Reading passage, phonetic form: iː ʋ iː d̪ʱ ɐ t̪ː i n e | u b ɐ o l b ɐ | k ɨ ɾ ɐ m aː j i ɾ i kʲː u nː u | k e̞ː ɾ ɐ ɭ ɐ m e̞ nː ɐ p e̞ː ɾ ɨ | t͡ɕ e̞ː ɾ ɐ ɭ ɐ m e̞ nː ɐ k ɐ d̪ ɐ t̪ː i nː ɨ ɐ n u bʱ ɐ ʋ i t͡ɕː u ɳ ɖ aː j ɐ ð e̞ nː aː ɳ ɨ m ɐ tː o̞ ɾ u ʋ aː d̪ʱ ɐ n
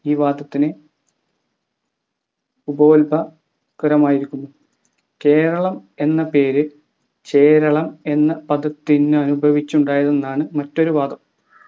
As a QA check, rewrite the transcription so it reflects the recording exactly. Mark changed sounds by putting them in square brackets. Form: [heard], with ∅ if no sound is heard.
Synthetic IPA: iː ʋ [aː] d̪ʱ ɐ t̪ː i n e | u b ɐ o l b ɐ | k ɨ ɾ ɐ m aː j i ɾ i kʲː u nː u | k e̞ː ɾ ɐ ɭ ɐ m e̞ nː ɐ p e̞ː ɾ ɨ | t͡ɕ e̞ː ɾ ɐ ɭ ɐ m e̞ nː ɐ [p] ɐ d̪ ɐ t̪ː i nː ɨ ɐ n u bʱ ɐ ʋ i t͡ɕː u ɳ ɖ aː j ɐ ð e̞ nː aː ɳ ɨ m ɐ tː o̞ ɾ u ʋ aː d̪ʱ ɐ [m]